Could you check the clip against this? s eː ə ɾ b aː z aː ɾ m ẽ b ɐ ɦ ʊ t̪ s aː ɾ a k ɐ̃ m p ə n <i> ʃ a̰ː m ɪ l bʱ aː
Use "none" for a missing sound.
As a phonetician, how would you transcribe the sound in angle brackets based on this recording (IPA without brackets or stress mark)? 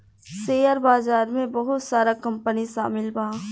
i